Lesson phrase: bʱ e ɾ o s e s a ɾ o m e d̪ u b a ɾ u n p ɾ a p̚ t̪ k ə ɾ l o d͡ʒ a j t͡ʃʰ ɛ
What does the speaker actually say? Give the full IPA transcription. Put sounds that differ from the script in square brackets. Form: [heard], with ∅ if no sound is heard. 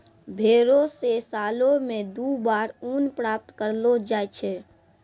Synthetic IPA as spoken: bʱ e ɾ o s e s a [l] o m e d̪ u b a ɾ u n p ɾ a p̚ t̪ k ə ɾ l o d͡ʒ a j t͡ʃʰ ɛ